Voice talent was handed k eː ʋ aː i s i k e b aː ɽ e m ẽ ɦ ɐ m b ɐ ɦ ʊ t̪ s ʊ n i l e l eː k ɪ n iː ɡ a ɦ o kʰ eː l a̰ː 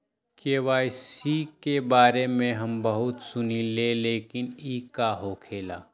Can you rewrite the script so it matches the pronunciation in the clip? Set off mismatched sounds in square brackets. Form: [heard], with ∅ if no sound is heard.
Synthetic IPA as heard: k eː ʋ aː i s i k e b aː [ɾ] e m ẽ ɦ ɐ m b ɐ ɦ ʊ t̪ s ʊ n i l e l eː k ɪ n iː [k] a ɦ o kʰ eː l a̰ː

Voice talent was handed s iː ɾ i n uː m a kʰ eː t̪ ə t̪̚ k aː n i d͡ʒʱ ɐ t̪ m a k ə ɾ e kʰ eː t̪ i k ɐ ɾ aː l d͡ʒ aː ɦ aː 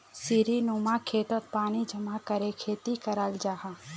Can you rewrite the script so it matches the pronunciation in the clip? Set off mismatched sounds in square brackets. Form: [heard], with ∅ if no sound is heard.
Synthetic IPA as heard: s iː ɾ i n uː m a kʰ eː t̪ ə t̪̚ [p] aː n i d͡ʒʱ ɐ [∅] m a k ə ɾ e kʰ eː t̪ i k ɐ ɾ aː l d͡ʒ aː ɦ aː

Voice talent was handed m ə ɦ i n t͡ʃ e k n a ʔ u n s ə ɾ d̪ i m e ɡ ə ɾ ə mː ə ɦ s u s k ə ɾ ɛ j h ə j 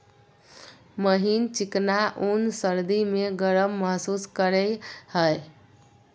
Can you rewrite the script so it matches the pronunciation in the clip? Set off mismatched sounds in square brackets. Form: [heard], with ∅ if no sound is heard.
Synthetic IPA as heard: m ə ɦ i n t͡ʃ [i] k n a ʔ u n s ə ɾ d̪ i m e ɡ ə ɾ ə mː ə ɦ s u s k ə ɾ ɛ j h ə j

